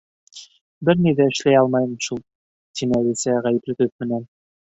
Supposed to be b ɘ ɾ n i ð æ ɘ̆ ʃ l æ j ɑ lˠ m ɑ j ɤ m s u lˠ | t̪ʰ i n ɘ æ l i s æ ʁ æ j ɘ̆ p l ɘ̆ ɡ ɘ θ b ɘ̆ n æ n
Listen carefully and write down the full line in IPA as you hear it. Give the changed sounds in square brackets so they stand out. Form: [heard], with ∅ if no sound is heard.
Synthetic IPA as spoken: b ɘ ɾ n i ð æ ɘ̆ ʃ l æ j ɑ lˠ m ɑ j ɤ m [ʃ] u lˠ | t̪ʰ i n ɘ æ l i s æ ʁ æ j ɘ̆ p l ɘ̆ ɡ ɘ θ [m] ɘ̆ n æ n